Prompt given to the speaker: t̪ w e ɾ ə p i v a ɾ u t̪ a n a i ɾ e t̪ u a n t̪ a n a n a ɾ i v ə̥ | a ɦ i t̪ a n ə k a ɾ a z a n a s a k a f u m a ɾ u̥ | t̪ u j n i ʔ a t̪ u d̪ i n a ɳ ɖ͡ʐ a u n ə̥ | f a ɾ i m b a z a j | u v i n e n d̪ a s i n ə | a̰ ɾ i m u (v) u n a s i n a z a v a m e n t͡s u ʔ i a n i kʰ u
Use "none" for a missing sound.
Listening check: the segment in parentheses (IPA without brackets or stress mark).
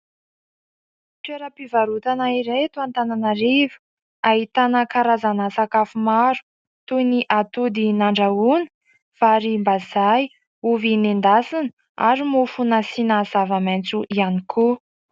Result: f